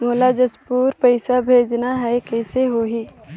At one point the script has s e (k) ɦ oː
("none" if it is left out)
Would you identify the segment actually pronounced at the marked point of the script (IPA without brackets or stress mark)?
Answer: none